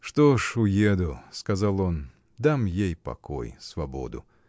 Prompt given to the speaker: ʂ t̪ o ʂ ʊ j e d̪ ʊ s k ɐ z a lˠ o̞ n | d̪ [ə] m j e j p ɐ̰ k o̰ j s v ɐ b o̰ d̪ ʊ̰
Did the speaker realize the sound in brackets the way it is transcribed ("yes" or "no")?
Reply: no